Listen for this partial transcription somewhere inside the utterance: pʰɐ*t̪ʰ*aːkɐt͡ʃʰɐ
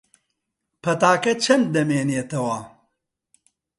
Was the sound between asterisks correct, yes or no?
no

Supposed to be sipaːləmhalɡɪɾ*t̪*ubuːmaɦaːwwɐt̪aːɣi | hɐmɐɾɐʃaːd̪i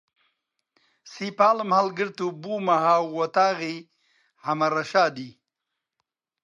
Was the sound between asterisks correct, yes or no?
yes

